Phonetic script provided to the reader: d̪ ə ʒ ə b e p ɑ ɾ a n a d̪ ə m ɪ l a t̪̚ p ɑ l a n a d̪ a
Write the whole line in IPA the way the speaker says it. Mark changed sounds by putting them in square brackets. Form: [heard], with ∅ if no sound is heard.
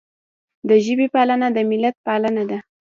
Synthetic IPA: d̪ ə ʒ ə b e p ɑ [l] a n a d̪ ə m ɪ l a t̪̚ p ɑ l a n a d̪ a